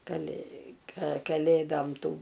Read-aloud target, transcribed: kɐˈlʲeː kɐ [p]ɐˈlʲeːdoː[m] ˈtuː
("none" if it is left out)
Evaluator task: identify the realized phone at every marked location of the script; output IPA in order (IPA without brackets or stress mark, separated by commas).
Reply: k, m